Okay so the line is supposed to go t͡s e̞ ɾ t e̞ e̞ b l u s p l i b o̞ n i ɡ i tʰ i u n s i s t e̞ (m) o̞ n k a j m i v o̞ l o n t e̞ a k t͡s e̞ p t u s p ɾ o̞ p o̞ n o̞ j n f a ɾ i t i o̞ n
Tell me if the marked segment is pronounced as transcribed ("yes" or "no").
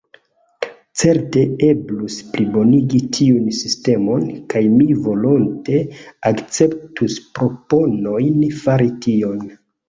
yes